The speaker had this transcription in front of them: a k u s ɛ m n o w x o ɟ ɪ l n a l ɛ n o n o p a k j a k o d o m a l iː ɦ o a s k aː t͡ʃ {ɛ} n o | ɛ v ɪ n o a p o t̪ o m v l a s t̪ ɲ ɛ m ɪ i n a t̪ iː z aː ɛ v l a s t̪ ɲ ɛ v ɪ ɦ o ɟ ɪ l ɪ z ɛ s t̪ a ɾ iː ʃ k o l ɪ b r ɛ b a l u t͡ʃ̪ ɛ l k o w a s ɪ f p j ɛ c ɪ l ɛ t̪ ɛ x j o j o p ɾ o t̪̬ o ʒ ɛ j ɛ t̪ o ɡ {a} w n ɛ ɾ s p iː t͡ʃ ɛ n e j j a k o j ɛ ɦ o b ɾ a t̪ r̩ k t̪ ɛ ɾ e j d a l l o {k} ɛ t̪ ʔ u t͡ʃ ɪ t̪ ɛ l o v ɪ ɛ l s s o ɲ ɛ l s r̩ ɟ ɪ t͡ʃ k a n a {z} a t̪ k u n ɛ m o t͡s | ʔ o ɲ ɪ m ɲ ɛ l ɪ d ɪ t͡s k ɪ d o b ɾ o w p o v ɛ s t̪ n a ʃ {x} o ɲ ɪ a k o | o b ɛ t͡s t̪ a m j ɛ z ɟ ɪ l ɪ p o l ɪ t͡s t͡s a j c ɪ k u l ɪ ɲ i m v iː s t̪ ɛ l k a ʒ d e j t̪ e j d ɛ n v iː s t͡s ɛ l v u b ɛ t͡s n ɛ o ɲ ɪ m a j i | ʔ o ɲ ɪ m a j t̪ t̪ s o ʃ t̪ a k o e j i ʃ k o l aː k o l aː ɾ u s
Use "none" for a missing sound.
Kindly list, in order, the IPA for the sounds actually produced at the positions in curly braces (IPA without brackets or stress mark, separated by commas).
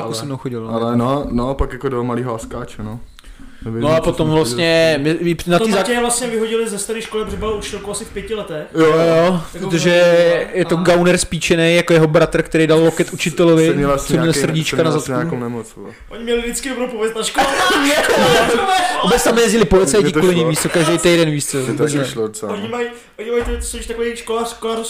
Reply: ɛ, a, k, z, k